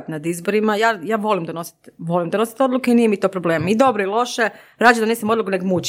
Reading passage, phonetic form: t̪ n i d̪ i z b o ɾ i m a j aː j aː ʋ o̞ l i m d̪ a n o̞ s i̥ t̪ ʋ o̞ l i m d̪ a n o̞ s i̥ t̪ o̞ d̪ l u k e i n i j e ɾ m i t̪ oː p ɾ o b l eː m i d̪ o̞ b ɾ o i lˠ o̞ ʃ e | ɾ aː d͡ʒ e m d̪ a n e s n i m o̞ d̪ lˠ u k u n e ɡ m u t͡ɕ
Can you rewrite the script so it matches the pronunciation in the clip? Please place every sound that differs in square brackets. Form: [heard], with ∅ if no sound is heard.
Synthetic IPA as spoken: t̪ n [a] d̪ i z b o ɾ i m a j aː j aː ʋ o̞ l i m d̪ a n o̞ s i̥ t̪ ʋ o̞ l i m d̪ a n o̞ s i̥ t̪ o̞ d̪ l u k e i n i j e [∅] m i t̪ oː p ɾ o b l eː m i d̪ o̞ b ɾ o i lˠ o̞ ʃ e | ɾ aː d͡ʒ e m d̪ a n e s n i m o̞ d̪ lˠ u k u n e ɡ m u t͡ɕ